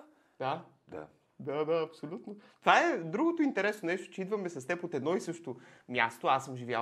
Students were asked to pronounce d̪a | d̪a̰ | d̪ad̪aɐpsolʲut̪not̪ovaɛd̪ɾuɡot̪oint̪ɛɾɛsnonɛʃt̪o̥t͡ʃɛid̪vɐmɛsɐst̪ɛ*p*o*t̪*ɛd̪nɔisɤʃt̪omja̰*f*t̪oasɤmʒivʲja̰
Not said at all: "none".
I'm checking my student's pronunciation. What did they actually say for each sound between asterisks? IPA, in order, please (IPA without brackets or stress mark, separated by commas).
p, t̪, s